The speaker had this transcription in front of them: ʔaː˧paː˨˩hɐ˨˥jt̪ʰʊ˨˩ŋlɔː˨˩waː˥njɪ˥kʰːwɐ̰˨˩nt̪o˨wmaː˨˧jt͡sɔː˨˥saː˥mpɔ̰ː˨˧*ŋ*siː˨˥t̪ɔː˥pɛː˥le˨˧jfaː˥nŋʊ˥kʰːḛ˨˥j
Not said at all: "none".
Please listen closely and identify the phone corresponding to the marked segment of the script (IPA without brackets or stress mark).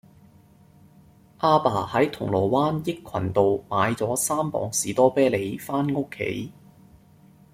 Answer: ŋ